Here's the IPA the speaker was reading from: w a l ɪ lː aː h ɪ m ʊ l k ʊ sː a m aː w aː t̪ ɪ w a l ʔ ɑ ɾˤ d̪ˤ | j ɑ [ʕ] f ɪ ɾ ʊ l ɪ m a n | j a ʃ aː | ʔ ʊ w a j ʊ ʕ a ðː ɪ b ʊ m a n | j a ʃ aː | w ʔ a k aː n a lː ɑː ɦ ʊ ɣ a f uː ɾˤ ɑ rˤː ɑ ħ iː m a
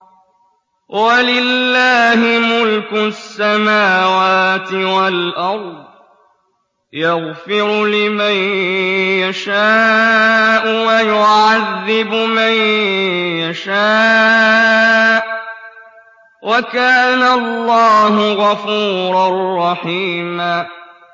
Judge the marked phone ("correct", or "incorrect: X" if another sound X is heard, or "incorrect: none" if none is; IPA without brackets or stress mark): incorrect: ɣ